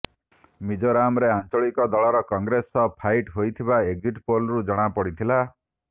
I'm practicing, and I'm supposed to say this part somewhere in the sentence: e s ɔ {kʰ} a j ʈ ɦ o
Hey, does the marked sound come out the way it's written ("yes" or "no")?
no